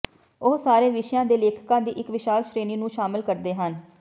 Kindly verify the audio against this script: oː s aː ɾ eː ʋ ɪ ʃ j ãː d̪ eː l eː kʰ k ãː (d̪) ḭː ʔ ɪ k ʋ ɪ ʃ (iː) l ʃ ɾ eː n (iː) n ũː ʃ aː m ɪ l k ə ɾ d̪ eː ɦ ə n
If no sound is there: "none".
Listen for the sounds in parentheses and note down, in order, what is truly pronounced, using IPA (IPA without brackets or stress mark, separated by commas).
d̪, aː, iː